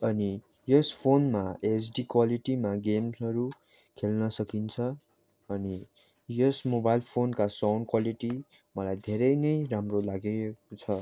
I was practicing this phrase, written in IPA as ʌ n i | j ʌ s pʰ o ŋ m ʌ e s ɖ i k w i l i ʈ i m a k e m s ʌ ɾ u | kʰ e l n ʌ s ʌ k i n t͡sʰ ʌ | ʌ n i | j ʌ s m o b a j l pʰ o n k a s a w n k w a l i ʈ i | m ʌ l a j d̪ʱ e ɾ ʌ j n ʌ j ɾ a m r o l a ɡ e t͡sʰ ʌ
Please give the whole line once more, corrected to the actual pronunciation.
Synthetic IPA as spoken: ʌ n i | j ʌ s pʰ o n m a e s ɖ i k w a l i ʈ i m a ɡ e m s ʌ ɾ u | kʰ e l n ʌ s ʌ k i n t͡sʰ ʌ | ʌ n i | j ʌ s m o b a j l pʰ o n k a s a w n k w a l i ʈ i | m ʌ l a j d̪ʱ e ɾ ʌ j n ʌ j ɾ a m r o l a ɡ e t͡sʰ ʌ

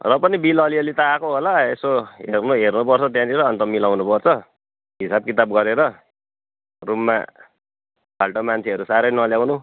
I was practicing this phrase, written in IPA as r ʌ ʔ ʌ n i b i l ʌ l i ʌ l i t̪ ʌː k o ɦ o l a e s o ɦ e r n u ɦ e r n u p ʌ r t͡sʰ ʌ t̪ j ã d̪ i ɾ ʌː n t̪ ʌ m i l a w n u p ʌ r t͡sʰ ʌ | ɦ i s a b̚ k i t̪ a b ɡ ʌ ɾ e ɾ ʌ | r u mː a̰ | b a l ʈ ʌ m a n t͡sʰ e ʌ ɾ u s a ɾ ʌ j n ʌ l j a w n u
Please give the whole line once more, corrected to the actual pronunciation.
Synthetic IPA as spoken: r ʌ p ʌ n i b i l ʌ l i ʌ l i t̪ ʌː k o ɦ o l a e s o ɦ e r n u ɦ e r n u p ʌ r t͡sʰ ʌ t̪ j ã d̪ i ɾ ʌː n t̪ ʌ m i l a w n u p ʌ r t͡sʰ ʌ | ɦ i s a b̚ k i t̪ a b ɡ ʌ ɾ e ɾ ʌ | r u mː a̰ | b a l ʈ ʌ m a n t͡sʰ e ʌ ɾ u s a ɾ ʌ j n ʌ l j a w n u

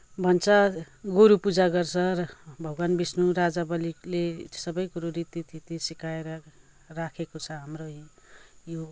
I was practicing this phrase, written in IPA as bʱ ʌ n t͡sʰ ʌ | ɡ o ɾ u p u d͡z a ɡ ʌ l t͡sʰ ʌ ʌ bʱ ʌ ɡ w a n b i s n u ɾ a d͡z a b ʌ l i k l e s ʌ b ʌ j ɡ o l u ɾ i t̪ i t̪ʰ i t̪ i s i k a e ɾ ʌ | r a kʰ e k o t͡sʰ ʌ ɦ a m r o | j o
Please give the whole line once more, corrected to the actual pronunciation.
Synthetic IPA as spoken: bʱ ʌ n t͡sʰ ʌ | ɡ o ɾ u p u d͡z a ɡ ʌ r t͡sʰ ʌ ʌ bʱ ʌ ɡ w a n b i s n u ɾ a d͡z a b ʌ l i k l e s ʌ b ʌ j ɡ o ɾ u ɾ i t̪ i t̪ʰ i t̪ i s i k a e ɾ ʌ | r a kʰ e k o t͡sʰ ʌ ɦ a m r o | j o

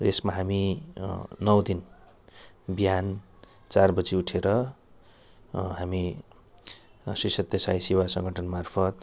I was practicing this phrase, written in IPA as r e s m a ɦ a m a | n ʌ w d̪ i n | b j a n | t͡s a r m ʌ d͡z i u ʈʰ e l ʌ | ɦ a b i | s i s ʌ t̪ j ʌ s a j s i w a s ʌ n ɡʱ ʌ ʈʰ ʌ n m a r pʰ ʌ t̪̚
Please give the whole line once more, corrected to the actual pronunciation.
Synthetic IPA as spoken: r e s m a ɦ a m i | n ʌ w d̪ i n | b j a n | t͡s a r b ʌ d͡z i u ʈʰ e ɾ ʌ | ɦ a m i | s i s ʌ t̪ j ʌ s a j s i w a s ʌ ŋ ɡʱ ʌ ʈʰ ʌ n m a r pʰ ʌ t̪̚

